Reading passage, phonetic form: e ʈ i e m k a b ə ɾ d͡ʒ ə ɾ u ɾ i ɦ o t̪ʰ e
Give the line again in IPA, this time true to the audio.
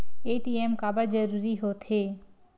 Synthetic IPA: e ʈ i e m k a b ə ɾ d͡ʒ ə ɾ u ɾ i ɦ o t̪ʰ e

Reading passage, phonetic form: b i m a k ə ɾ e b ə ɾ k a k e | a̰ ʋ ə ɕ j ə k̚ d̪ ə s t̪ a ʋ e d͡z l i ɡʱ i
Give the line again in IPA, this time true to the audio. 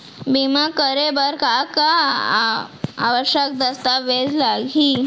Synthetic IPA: b i m a k ə ɾ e b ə ɾ k a k a | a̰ ʋ ə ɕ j ə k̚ d̪ ə s t̪ a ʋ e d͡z l a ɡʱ i

